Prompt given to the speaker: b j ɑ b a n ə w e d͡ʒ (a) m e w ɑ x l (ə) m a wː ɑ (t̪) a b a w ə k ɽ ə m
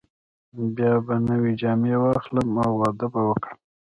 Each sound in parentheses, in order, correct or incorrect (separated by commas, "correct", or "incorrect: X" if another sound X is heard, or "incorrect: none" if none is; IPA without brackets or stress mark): incorrect: ɑ, correct, incorrect: d̪